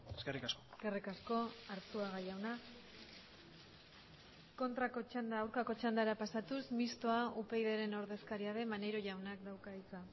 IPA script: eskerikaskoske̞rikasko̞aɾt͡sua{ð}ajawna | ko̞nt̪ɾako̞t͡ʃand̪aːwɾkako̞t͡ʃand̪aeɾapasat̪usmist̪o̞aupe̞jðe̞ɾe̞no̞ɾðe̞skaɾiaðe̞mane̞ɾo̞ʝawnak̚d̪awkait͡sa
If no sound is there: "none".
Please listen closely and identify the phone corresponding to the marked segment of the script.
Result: ɣ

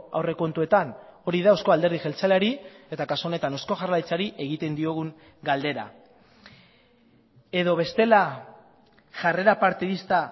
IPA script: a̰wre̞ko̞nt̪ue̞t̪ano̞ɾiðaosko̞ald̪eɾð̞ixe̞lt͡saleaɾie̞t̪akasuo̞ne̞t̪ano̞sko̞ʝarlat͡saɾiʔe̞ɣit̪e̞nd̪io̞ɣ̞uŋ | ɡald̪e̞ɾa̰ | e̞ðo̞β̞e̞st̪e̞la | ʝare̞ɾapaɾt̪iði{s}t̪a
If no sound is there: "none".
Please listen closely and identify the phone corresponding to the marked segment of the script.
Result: s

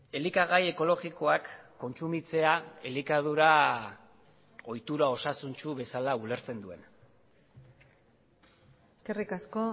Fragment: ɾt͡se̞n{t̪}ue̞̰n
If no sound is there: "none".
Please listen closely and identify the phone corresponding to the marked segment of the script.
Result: d̪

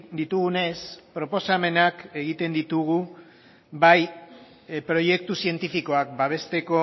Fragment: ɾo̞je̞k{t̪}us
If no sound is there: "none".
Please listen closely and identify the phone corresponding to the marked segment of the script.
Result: t̪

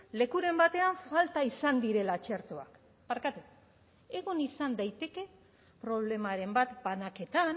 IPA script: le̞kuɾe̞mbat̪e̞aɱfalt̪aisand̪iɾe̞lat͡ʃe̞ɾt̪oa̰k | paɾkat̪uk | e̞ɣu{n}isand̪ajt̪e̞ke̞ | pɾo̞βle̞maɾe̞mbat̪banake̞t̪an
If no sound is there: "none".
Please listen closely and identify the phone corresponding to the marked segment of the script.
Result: n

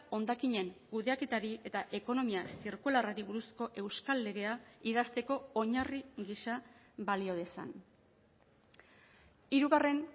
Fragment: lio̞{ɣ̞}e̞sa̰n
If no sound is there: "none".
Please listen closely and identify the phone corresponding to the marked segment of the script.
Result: ð̞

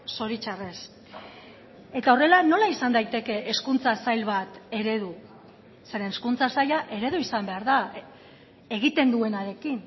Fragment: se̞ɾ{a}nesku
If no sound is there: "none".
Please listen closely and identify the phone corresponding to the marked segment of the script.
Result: e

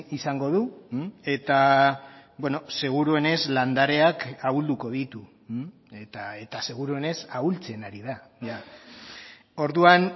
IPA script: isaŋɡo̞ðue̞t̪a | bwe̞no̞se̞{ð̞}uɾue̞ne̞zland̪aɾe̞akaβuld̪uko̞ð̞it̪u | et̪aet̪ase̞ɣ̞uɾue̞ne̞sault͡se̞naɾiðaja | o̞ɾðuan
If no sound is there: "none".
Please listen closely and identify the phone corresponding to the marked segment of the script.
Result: ɣ̞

